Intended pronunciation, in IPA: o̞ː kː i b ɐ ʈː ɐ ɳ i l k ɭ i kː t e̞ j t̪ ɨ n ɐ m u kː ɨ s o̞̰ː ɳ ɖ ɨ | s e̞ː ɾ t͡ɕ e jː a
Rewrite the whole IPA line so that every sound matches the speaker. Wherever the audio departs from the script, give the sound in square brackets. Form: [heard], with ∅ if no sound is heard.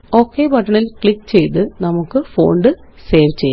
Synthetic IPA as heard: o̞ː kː [e] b ɐ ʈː ɐ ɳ i l k ɭ i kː [t͡ɕ] e̞ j t̪ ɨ n ɐ m u kː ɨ [f] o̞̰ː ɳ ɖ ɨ | s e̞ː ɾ t͡ɕ e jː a